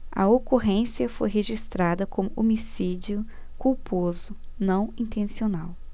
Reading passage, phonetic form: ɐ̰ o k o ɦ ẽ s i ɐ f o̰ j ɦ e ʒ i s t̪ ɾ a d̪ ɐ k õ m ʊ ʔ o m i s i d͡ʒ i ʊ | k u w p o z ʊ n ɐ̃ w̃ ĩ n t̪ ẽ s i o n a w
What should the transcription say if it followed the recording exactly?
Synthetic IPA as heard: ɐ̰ o k o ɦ ẽ s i ɐ f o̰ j ɦ e ʒ i s t̪ ɾ a d̪ ɐ k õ m ʊ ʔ o m i s i d͡ʒ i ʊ | k u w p o z ʊ n ɐ̃ w̃ ĩ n t̪ ẽ s i o n a w